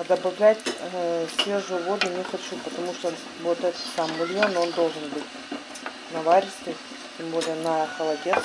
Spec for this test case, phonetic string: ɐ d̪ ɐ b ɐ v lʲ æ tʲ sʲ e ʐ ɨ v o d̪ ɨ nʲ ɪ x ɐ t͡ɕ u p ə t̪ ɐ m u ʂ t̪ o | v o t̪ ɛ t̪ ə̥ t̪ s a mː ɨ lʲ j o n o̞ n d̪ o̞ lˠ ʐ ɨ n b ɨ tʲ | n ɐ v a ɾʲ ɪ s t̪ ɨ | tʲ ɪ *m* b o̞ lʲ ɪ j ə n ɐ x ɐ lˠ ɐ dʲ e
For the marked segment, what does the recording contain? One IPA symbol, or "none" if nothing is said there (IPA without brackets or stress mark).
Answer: m